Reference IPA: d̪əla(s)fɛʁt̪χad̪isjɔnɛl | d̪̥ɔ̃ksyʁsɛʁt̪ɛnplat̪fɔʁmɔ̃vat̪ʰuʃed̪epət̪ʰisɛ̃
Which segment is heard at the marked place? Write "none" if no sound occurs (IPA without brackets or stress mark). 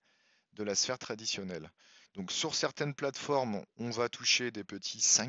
s